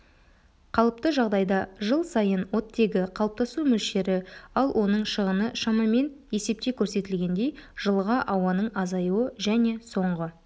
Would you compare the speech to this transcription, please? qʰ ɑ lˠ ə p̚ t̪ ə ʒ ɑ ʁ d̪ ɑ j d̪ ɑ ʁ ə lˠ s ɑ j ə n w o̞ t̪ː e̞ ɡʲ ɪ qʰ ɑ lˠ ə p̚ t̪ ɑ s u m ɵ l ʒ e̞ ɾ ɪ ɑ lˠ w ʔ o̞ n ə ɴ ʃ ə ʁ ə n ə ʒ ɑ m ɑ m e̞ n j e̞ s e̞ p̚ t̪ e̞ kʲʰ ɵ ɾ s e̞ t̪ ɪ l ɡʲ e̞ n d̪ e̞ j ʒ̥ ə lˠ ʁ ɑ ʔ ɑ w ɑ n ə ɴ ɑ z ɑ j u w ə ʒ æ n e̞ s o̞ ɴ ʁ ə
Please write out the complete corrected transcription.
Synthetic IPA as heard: qʰ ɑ lˠ ə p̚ t̪ ə ʒ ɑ ʁ d̪ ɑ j d̪ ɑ ʒ ə lˠ s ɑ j ə n w o̞ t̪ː e̞ ɡʲ ɪ qʰ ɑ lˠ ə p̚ t̪ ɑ s u m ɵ l ʃ e̞ ɾ ɪ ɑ lˠ w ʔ o̞ n ə ɴ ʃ ə ʁ ə n ə ʃ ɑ m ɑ m e̞ n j e̞ s e̞ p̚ t̪ e̞ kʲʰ ɵ ɾ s e̞ t̪ ɪ l ɡʲ e̞ n d̪ e̞ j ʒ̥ ə lˠ ʁ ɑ ʔ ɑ w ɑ n ə ɴ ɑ z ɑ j u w ə ʒ æ n e̞ s o̞ ɴ ʁ ə

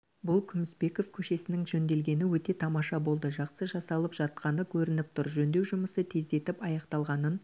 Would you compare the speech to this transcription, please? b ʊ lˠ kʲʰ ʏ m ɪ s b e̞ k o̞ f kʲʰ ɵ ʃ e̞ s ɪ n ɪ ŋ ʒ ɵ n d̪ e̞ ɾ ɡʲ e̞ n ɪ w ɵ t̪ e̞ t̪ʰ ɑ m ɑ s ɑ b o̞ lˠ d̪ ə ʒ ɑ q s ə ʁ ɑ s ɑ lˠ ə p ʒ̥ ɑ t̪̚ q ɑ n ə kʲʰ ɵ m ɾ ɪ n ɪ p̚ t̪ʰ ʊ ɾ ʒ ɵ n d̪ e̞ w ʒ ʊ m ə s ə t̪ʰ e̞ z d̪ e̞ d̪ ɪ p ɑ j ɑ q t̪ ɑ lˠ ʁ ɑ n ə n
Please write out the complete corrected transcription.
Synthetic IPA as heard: b ʊ lˠ kʲʰ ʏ m ɪ s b e̞ k o̞ f kʲʰ ɵ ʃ e̞ s ɪ n ɪ ŋ ʒ ɵ n d̪ e̞ l ɡʲ e̞ n ɪ w ɵ t̪ e̞ t̪ʰ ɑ m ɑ ʃ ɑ b o̞ lˠ d̪ ə ʒ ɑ q s ə ʒ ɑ s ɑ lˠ ə p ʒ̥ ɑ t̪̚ q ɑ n ə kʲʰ ɵ ɾ ɪ n ɪ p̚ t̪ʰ ʊ ɾ ʒ ɵ n d̪ e̞ w ʒ ʊ m ə s ə t̪ʰ e̞ z d̪ e̞ t̪ ɪ p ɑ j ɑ q t̪ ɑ lˠ ʁ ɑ n ə n

